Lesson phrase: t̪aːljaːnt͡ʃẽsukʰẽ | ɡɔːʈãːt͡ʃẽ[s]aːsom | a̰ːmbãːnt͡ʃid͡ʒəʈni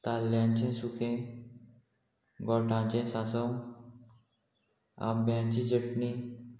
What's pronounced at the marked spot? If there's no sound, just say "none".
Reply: s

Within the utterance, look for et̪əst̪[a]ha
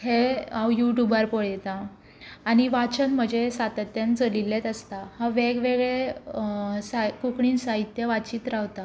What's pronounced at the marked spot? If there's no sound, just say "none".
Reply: a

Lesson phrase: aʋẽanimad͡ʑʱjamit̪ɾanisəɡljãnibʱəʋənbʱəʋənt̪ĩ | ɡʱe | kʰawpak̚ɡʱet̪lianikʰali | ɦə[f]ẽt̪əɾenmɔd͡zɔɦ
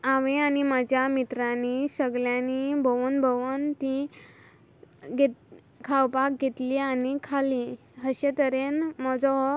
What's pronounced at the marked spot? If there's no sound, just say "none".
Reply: ɕ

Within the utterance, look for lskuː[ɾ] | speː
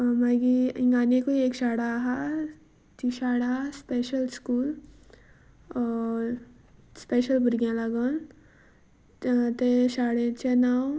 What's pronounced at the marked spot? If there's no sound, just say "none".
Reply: l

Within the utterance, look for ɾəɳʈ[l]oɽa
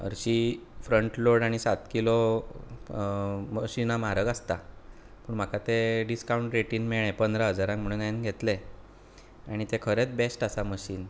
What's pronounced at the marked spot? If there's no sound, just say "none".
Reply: l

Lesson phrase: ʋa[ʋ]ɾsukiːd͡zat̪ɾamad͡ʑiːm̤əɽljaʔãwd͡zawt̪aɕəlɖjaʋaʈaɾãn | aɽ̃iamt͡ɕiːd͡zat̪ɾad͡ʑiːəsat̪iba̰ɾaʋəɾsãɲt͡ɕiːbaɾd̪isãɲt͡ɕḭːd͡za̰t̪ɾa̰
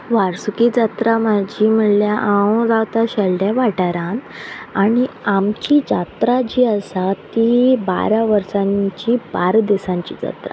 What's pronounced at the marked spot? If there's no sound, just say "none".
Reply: none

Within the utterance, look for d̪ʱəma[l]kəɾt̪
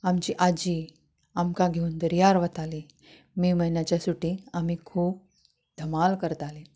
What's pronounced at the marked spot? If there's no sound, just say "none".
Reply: l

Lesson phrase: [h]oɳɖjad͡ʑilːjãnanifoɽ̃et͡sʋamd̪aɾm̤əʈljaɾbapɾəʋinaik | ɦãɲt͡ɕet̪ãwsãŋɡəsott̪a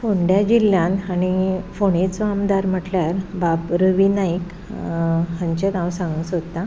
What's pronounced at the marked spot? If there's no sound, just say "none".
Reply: f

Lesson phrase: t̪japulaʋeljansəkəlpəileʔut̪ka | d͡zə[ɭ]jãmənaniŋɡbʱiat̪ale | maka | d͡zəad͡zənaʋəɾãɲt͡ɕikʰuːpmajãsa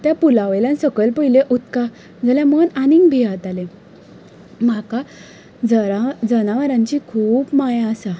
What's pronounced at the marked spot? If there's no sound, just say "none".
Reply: l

